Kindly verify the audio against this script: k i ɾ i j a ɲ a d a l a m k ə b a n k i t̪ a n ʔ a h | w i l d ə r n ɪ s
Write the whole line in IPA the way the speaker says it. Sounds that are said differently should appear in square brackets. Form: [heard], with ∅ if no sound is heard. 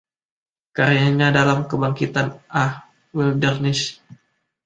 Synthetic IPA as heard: k [a] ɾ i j a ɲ a d a l a m k ə b a [ŋ] k i t̪ a n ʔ a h | w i l d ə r n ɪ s